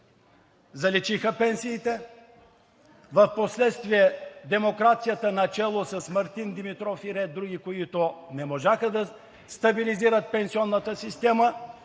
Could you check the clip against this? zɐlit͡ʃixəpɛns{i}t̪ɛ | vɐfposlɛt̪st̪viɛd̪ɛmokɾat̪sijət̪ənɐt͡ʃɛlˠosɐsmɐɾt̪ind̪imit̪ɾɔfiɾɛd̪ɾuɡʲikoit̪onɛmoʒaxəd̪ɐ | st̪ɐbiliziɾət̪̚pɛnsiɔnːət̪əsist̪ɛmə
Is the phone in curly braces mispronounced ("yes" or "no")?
yes